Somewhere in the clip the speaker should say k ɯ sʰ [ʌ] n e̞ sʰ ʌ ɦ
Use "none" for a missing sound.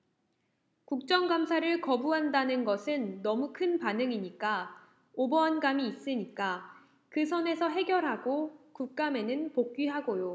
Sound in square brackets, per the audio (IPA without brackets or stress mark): ʌ